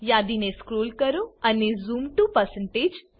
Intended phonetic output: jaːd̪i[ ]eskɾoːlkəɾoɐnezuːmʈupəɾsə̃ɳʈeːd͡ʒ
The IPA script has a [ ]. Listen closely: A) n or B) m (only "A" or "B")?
A